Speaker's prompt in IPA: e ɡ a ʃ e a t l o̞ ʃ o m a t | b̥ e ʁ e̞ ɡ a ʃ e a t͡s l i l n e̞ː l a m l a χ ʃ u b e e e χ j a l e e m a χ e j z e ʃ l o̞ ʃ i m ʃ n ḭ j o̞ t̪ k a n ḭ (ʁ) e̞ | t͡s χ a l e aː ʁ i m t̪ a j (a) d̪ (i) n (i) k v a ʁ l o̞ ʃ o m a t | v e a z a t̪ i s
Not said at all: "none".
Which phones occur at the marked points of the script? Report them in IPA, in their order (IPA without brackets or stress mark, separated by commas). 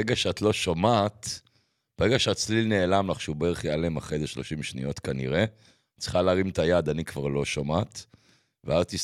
ʁ, a, a, i